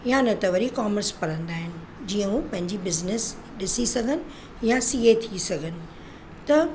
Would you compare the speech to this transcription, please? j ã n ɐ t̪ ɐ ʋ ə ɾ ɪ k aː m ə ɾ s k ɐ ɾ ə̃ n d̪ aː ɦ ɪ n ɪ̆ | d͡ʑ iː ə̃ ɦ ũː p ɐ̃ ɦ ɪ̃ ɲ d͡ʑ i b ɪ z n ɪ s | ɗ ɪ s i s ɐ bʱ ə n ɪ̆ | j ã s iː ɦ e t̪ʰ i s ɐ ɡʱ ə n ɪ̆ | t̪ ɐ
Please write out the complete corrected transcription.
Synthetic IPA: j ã n ɐ t̪ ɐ ʋ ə ɾ i k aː m ə ɾ s p ɐ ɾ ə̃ n d̪ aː ɦ ɪ n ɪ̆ | d͡ʑ iː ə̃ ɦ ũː p ɐ̃ ɦ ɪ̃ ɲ d͡ʑ i b ɪ z n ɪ s | ɗ ɪ s i s ɐ ɡʱ ə n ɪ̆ | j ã s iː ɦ e t̪ʰ i s ɐ ɡʱ ə n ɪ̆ | t̪ ɐ